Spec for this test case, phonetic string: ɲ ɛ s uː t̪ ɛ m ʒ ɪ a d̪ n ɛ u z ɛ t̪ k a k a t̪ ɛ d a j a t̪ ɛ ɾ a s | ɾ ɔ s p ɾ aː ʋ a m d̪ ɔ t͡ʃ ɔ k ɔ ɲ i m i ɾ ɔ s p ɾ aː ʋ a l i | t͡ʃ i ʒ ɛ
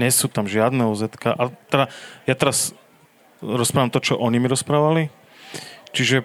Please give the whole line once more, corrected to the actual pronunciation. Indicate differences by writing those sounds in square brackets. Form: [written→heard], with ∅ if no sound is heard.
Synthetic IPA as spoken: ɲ ɛ s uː t̪ [ɛ→a] m ʒ ɪ a d̪ n ɛ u z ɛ t̪ k a [k→ʔ] a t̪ ɛ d a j a t̪ ɛ ɾ a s | ɾ ɔ s p ɾ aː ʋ a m [d̪→t̪] ɔ t͡ʃ ɔ [k→ʔ] ɔ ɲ i m i ɾ ɔ s p ɾ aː ʋ a l i | t͡ʃ i ʒ ɛ